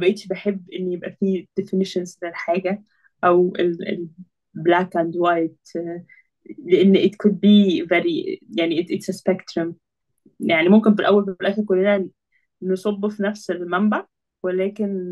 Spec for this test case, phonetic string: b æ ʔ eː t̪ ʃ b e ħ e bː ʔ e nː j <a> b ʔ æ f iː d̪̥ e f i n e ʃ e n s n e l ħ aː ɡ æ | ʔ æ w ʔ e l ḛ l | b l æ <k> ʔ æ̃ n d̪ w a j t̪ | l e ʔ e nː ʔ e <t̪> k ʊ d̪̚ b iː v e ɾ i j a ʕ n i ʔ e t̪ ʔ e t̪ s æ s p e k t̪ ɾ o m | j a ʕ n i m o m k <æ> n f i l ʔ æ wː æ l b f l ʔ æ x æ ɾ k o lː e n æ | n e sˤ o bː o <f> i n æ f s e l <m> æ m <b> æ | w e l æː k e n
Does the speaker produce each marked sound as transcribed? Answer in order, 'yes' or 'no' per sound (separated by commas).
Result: no, yes, yes, no, yes, yes, yes